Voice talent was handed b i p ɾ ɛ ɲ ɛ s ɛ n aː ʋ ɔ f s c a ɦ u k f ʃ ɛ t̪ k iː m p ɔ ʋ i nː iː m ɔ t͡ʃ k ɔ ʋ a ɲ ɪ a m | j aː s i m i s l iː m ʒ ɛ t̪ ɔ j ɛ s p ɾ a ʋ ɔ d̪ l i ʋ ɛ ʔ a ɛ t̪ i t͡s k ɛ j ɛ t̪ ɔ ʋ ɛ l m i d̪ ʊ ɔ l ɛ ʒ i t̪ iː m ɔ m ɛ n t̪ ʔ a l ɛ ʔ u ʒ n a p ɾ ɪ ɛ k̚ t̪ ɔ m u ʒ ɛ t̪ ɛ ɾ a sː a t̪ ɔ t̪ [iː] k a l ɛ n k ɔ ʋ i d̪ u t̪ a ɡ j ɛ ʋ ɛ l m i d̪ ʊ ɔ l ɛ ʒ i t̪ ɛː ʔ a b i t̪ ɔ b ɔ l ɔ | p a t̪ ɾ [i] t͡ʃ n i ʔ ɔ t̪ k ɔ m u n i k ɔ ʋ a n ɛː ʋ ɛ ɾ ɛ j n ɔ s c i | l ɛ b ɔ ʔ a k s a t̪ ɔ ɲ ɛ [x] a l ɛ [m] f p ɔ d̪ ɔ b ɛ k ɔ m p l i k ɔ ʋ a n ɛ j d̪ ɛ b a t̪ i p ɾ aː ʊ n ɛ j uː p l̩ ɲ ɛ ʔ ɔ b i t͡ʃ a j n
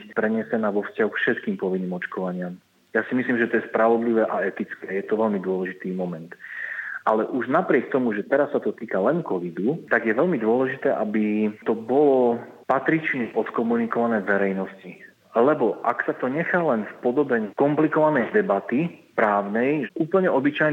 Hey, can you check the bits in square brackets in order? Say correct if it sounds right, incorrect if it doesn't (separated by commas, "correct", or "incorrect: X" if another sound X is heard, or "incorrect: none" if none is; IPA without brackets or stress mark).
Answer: correct, correct, correct, incorrect: n